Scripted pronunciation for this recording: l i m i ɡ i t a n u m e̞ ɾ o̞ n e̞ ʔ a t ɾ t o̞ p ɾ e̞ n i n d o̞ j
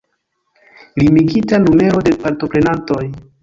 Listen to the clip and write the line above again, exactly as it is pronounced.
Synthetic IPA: l i m i ɡ i t a n u m e̞ ɾ o̞ d e̞ p a ɾ t o̞ p ɾ e̞ n a n t o̞ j